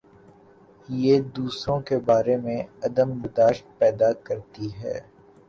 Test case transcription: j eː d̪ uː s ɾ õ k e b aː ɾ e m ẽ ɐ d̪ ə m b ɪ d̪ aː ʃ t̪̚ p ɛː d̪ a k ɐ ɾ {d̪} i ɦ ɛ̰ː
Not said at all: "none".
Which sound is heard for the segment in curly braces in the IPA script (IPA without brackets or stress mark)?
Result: t̪